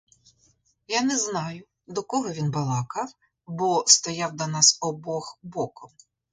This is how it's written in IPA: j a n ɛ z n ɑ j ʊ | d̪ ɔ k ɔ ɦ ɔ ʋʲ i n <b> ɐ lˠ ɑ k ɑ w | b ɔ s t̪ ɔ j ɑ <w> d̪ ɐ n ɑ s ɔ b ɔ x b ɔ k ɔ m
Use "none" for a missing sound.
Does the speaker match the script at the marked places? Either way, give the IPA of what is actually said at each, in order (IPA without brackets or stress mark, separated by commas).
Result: b, w